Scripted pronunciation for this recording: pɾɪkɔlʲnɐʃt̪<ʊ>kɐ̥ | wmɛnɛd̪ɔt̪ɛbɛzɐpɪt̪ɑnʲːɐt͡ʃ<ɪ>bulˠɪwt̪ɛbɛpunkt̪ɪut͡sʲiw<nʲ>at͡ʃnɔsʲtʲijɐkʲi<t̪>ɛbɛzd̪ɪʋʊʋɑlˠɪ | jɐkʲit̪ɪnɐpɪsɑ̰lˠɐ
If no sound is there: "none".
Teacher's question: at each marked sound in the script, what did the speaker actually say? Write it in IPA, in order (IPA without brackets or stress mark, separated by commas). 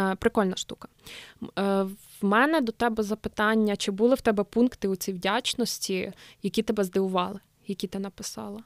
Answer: u, ɪ, dʲ, t̪